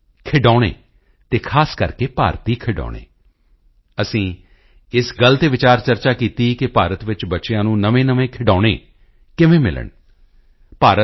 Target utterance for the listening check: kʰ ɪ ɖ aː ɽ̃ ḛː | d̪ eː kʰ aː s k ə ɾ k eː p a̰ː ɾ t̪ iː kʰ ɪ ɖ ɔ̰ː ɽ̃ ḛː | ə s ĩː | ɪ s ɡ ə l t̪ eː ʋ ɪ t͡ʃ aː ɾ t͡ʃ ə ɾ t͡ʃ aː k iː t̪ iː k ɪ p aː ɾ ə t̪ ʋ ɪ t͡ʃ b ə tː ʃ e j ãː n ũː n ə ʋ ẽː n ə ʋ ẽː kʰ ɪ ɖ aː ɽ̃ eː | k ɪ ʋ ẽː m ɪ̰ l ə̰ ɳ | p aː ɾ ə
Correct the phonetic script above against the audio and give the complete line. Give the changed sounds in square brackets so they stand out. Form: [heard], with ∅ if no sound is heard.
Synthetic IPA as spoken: kʰ ɪ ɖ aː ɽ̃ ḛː | [t̪] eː kʰ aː s k ə ɾ k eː p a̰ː ɾ t̪ iː kʰ ɪ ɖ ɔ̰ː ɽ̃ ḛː | ə s ĩː | ɪ s ɡ ə l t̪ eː ʋ ɪ t͡ʃ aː ɾ t͡ʃ ə ɾ t͡ʃ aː k iː t̪ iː k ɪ p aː ɾ ə t̪ ʋ ɪ t͡ʃ b ə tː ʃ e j ãː n ũː n ə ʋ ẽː n ə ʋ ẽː kʰ ɪ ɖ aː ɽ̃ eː | k ɪ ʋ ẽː m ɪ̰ l ə̰ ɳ | p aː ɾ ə